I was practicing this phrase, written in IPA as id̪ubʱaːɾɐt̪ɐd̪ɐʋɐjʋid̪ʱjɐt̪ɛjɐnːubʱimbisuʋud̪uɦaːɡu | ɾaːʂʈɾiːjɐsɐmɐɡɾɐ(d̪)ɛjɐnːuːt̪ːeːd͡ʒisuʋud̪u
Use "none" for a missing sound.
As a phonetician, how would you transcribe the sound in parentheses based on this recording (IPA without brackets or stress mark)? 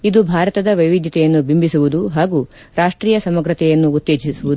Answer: t̪